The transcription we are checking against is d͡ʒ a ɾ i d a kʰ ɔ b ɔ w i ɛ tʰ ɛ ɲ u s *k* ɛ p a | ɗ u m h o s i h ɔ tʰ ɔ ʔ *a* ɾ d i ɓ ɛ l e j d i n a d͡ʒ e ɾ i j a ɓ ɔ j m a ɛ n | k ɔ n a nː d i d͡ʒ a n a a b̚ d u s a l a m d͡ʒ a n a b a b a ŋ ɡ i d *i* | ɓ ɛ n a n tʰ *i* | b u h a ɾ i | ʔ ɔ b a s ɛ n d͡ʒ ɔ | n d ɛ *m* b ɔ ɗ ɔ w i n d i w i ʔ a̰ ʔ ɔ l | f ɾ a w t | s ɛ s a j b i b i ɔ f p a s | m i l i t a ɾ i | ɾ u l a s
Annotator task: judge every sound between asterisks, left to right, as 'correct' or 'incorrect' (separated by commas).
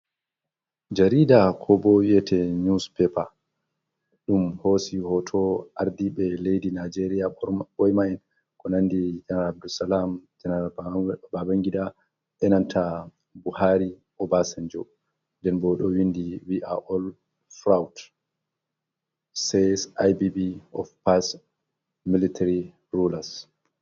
incorrect, correct, incorrect, incorrect, incorrect